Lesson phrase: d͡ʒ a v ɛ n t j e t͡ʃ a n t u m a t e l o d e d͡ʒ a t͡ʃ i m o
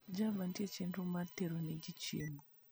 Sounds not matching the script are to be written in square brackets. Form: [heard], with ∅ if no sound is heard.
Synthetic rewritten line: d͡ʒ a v [a] n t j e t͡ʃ [i] n t u m a t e [ɾ] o [n] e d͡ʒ [i] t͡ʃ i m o